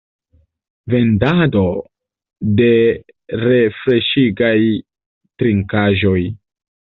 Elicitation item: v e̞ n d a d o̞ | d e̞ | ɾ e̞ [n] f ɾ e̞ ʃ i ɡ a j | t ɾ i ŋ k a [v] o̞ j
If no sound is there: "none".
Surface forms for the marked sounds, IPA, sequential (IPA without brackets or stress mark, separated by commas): none, ʒ